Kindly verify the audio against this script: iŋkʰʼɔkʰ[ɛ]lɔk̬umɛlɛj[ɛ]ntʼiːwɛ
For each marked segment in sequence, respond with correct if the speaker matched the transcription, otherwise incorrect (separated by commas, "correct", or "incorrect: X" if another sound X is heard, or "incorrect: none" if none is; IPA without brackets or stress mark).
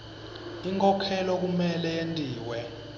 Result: correct, incorrect: e